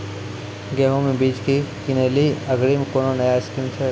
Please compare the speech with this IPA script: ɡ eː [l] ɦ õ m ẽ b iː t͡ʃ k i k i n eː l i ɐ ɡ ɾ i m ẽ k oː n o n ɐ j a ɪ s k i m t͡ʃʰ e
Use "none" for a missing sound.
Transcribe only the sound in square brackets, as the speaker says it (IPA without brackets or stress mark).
none